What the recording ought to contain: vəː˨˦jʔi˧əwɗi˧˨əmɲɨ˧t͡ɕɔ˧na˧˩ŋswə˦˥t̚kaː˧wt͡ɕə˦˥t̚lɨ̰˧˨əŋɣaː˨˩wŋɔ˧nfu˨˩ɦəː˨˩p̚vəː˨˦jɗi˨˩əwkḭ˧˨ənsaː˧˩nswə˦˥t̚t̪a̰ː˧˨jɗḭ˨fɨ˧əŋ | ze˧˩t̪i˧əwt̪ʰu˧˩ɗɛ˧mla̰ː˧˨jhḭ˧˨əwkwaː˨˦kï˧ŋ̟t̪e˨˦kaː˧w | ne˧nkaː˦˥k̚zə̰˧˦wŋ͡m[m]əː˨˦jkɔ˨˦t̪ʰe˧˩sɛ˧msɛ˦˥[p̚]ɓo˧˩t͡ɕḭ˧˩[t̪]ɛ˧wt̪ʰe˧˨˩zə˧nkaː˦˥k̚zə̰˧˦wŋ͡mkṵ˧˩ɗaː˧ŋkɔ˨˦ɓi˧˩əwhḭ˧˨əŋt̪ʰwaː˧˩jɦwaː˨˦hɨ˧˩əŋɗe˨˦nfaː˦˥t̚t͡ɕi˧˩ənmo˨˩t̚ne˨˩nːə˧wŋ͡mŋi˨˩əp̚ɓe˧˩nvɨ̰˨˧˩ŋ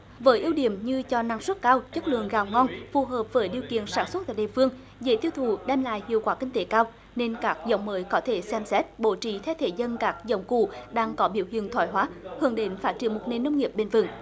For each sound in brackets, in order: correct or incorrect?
correct, incorrect: t̚, incorrect: t̪ʰ

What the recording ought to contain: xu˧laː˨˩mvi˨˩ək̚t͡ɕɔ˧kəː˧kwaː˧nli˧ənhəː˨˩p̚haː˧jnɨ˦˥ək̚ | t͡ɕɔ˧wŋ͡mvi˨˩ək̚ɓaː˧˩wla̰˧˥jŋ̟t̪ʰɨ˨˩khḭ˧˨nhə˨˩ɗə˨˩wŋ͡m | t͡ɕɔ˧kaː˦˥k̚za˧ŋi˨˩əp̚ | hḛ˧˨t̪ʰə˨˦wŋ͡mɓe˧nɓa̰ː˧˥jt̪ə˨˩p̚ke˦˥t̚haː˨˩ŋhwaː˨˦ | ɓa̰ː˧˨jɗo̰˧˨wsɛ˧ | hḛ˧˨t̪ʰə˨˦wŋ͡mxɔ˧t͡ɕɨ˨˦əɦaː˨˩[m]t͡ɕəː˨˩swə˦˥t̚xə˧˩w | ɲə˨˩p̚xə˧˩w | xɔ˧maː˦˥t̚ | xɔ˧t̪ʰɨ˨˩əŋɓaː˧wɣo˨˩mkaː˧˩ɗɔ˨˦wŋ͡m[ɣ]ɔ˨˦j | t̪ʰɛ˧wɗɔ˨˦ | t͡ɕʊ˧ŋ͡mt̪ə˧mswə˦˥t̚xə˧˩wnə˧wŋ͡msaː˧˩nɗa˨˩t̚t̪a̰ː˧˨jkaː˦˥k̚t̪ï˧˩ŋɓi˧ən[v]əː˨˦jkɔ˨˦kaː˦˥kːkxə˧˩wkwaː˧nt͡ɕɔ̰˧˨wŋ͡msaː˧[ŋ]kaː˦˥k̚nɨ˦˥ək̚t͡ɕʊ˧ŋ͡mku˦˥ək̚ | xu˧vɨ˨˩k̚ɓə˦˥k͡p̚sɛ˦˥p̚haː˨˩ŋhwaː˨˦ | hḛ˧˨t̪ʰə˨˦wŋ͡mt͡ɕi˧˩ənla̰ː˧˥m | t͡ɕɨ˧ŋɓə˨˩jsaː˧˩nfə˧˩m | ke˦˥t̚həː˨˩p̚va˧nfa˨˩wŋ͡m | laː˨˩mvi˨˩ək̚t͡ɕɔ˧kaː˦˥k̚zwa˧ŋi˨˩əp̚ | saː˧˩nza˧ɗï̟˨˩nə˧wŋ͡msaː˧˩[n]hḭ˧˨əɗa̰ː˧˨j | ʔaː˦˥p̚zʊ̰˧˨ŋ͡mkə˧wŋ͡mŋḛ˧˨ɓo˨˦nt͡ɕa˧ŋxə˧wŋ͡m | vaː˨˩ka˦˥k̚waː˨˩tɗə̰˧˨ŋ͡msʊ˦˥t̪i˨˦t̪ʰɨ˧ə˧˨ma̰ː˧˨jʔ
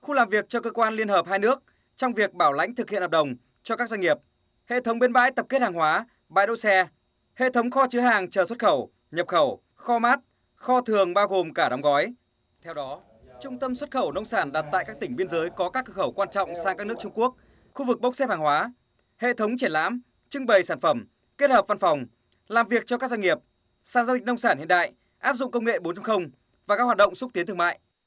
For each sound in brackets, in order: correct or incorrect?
incorrect: ŋ, correct, incorrect: z, correct, correct

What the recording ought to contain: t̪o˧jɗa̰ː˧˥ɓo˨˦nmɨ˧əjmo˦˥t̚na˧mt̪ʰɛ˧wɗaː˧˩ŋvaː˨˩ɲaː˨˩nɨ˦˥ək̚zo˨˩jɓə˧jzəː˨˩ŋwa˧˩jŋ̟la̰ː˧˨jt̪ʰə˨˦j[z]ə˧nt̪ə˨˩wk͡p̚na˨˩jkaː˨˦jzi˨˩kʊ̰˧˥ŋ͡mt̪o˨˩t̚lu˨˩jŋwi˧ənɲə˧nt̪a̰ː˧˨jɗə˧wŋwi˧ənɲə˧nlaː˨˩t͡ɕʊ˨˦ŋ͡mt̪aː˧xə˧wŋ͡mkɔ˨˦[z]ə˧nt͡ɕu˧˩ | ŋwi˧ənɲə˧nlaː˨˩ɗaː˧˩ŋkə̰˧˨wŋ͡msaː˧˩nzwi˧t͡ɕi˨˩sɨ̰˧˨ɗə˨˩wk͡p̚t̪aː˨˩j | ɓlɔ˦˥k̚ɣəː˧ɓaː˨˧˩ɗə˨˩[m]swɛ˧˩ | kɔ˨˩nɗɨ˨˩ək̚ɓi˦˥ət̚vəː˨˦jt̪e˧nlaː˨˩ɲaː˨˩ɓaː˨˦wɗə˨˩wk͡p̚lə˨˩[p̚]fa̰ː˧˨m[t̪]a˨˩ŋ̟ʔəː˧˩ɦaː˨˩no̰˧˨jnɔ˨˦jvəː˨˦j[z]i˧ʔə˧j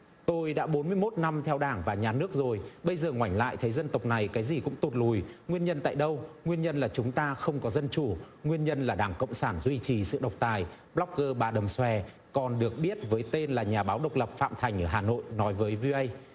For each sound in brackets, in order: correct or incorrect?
correct, correct, correct, correct, incorrect: t̪ʰ, incorrect: v

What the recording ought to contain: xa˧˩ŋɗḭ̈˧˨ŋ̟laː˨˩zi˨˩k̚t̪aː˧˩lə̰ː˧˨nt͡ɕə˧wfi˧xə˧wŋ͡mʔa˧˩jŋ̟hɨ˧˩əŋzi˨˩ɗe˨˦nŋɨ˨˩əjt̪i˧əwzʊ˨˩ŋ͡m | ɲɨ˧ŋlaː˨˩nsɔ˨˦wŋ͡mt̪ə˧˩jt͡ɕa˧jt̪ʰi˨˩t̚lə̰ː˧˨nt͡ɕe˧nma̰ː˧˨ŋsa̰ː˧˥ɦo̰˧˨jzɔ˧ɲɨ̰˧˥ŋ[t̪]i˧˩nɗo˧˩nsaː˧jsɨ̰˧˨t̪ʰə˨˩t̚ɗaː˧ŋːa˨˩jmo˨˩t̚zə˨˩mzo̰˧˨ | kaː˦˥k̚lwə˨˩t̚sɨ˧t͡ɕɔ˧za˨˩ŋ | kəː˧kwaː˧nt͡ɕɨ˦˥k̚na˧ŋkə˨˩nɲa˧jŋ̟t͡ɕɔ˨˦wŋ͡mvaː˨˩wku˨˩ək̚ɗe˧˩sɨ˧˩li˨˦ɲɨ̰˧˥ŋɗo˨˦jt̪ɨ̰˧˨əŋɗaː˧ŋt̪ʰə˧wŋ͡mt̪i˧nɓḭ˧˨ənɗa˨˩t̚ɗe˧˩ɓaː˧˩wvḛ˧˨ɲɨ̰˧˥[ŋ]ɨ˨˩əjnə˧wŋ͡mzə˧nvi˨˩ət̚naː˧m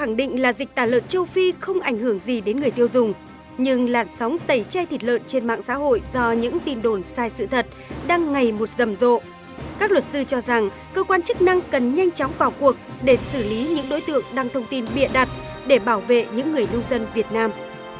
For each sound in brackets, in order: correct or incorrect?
correct, incorrect: ŋː

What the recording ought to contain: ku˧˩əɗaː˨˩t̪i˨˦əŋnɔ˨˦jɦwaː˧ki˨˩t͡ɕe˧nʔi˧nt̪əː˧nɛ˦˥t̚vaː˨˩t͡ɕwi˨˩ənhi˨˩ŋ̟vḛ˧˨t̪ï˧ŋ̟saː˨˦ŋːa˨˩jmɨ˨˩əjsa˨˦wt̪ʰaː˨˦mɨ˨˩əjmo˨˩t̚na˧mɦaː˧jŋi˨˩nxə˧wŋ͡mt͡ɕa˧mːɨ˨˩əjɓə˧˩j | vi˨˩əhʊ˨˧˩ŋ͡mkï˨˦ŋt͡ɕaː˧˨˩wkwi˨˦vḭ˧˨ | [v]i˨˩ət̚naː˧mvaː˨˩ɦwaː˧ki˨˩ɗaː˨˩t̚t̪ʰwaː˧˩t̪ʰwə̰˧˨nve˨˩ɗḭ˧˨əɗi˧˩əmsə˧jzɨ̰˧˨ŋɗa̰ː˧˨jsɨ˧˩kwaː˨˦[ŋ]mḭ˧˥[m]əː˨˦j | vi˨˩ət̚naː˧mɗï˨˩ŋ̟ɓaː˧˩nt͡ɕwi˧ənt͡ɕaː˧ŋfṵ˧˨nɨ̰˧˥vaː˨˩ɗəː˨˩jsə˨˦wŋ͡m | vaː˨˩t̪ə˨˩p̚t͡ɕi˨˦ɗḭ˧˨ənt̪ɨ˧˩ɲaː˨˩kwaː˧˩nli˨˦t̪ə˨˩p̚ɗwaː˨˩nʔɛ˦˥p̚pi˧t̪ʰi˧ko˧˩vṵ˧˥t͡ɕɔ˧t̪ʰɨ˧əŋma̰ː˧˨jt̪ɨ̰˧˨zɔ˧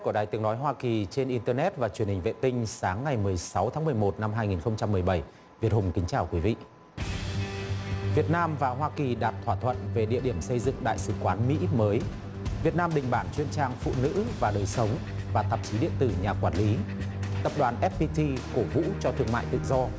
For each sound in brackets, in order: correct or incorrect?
correct, incorrect: n, correct

